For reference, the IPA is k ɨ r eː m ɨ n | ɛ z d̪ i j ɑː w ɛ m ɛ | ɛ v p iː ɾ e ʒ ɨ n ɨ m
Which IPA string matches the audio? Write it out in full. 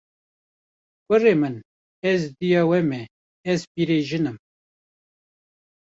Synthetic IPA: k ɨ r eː m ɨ n | ɛ z d̪ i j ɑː w ɛ m ɛ | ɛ z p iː ɾ e ʒ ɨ n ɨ m